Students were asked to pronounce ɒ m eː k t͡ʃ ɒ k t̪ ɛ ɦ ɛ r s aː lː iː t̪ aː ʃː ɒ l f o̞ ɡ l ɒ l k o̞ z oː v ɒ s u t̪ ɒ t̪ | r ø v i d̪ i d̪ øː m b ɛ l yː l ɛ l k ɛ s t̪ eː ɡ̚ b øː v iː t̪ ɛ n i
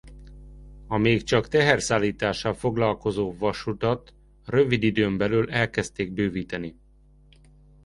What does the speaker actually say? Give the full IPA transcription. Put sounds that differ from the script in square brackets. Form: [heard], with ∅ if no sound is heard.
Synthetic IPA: ɒ m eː k t͡ʃ ɒ k t̪ ɛ ɦ ɛ r s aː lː iː t̪ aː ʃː ɒ l f o̞ ɡ l ɒ l k o̞ z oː v ɒ [ʃ] u t̪ ɒ t̪ | r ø v i d̪ i d̪ øː m b ɛ l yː l ɛ l k ɛ s t̪ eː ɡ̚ b øː v iː t̪ ɛ n i

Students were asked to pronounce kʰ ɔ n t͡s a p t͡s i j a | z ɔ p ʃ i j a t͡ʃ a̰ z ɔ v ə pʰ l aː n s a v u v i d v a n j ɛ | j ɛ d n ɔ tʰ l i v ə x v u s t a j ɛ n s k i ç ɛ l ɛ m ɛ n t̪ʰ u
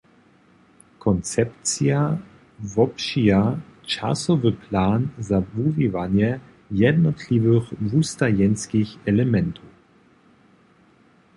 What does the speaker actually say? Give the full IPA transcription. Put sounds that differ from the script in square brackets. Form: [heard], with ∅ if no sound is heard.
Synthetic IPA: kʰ ɔ n t͡s [ɛ] p t͡s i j a | [v] ɔ p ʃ i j a t͡ʃ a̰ [s] ɔ v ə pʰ l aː n [z] a v u v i [∅] v a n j ɛ | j ɛ d n ɔ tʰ l i v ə x v u s t a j ɛ n s k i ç ɛ l ɛ m ɛ n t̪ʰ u

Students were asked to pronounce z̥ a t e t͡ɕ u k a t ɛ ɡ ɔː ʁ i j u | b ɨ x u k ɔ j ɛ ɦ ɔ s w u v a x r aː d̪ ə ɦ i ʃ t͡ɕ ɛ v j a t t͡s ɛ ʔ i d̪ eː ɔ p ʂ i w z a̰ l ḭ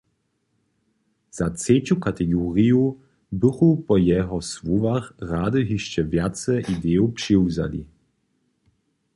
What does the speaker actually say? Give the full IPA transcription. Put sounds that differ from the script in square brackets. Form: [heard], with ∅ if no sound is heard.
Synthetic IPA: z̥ a [t͡s] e t͡ɕ u k a t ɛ ɡ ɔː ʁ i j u | b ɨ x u [p] ɔ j ɛ ɦ ɔ s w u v a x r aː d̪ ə ɦ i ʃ t͡ɕ ɛ v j a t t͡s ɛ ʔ i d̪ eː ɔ p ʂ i w z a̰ l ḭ

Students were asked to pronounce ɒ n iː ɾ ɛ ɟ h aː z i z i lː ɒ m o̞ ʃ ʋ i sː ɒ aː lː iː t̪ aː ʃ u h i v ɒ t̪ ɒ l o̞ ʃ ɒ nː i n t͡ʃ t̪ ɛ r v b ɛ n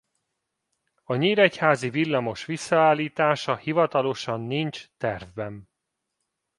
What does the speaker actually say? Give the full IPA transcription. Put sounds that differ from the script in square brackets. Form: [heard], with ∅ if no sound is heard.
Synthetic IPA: ɒ [ɲ] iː ɾ ɛ [c] h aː z i [v] i lː ɒ m o̞ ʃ ʋ i sː ɒ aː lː iː t̪ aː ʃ [ɒ] h i v ɒ t̪ ɒ l o̞ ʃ ɒ nː i n t͡ʃ t̪ ɛ r v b ɛ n

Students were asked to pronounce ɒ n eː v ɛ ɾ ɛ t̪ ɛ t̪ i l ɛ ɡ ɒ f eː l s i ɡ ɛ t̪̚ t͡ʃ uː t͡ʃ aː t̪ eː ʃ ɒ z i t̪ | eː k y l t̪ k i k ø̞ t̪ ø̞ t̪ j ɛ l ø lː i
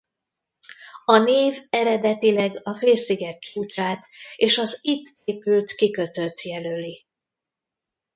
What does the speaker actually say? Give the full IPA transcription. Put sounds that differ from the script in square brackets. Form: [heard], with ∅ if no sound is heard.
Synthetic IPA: ɒ n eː v ɛ ɾ ɛ [d̪] ɛ t̪ i l ɛ ɡ ɒ f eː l s i ɡ ɛ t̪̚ t͡ʃ uː t͡ʃ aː t̪ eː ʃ ɒ z i t̪ | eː [p] y l t̪ k i k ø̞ t̪ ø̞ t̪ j ɛ l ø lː i

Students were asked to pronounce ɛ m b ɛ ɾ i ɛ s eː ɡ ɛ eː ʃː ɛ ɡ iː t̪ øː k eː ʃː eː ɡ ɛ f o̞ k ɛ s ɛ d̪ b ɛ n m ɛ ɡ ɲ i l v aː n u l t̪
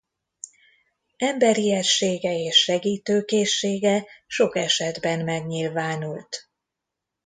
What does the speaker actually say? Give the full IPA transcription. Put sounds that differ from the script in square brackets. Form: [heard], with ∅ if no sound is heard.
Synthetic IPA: ɛ m b ɛ ɾ i ɛ [ʃ] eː ɡ ɛ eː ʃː ɛ ɡ iː t̪ øː k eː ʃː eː ɡ ɛ [ʃ] o̞ k ɛ [ʃ] ɛ d̪ b ɛ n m ɛ ɡ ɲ i l v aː n u l t̪

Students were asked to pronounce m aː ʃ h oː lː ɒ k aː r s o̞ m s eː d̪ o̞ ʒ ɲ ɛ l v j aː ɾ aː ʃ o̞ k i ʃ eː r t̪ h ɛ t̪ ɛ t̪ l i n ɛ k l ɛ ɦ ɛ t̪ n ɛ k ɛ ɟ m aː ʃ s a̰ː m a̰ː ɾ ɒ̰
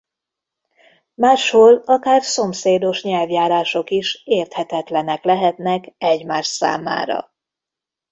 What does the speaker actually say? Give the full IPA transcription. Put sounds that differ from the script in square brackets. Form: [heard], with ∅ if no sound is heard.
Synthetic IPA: m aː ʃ h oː [l] ɒ k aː r s o̞ m s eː d̪ o̞ [ʃ] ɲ ɛ l v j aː ɾ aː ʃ o̞ k i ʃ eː r t̪ h ɛ t̪ ɛ t̪ l [ɛ] n ɛ k l ɛ ɦ ɛ t̪ n ɛ k ɛ ɟ m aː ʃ s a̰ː m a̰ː ɾ ɒ̰

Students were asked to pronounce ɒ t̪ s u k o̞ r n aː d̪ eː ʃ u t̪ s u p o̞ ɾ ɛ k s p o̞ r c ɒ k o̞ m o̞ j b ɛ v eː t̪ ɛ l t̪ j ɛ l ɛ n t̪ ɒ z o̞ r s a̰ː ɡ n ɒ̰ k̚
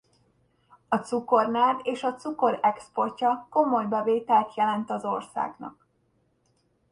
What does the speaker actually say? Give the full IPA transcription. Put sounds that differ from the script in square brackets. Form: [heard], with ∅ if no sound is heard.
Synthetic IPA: ɒ t̪ s u k o̞ r n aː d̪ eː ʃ [ɒ] t̪ s u [k] o̞ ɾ ɛ k s p o̞ r c ɒ k o̞ m o̞ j b ɛ v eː t̪ ɛ l t̪ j ɛ l ɛ n t̪ ɒ z o̞ r s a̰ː ɡ n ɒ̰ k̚

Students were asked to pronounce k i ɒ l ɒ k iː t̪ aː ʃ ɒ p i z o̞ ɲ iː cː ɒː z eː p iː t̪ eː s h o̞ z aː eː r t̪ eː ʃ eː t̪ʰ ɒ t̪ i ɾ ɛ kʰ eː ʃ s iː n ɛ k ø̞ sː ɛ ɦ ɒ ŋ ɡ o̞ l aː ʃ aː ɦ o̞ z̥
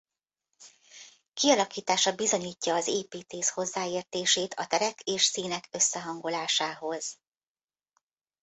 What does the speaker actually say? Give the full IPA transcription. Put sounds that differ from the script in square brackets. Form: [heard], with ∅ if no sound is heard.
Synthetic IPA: k i ɒ l ɒ k iː t̪ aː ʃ ɒ [b] i z o̞ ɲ iː cː ɒː z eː p iː t̪ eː s h o̞ [zː] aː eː r t̪ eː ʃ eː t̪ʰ ɒ t̪ [ɛ] ɾ ɛ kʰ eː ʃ s iː n ɛ k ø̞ sː ɛ ɦ ɒ ŋ ɡ o̞ l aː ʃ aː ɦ o̞ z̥

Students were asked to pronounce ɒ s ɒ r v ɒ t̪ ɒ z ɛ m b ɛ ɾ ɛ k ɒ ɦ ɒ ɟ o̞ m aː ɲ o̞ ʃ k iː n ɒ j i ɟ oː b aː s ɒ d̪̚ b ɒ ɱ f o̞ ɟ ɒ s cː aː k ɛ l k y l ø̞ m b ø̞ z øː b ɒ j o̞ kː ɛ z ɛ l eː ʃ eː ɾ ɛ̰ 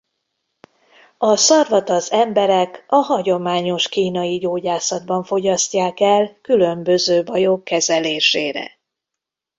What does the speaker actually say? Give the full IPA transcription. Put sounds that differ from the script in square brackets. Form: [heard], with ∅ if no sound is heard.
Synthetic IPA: ɒ s ɒ r v ɒ t̪ ɒ z ɛ m b ɛ ɾ ɛ k ɒ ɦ ɒ ɟ o̞ m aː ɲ o̞ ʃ k iː n ɒ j i ɟ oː [ɟ] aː s ɒ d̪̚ b ɒ ɱ f o̞ ɟ ɒ s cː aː k ɛ l k y l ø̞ m b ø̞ z øː b ɒ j o̞ kː ɛ z ɛ l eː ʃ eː ɾ ɛ̰

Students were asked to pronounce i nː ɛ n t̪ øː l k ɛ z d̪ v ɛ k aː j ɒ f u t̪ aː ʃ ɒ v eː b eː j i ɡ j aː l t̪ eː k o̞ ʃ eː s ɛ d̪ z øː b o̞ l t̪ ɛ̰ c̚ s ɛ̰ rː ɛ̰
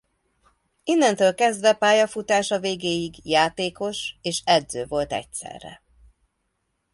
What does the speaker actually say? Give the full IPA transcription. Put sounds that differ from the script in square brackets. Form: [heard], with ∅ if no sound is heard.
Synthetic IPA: i nː ɛ n t̪ øː l k ɛ z d̪ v ɛ [p] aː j ɒ f u t̪ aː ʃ ɒ v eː [ɡ] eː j i ɡ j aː [∅] t̪ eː k o̞ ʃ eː [ʃ] ɛ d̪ z øː [v] o̞ l t̪ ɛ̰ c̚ s ɛ̰ rː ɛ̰

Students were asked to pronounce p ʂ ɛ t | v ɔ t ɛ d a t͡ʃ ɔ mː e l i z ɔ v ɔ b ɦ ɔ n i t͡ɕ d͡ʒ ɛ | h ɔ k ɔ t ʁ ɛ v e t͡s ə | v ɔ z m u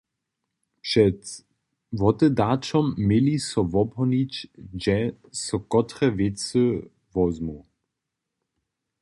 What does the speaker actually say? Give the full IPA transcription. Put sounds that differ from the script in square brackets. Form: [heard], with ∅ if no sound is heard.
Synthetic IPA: p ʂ ɛ t | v ɔ t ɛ d a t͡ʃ ɔ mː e l i [s] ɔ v ɔ b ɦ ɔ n i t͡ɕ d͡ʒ ɛ | [s] ɔ k ɔ t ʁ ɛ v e t͡s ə | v ɔ z m u

